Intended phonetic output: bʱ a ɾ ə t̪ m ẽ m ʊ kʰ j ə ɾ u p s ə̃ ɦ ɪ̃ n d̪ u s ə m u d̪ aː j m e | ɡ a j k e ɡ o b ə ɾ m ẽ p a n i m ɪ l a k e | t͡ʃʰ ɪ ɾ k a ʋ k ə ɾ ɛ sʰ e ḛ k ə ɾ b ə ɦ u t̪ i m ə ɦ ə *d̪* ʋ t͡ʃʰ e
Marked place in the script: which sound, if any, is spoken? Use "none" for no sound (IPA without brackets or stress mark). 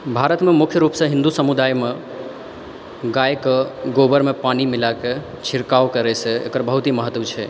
t̪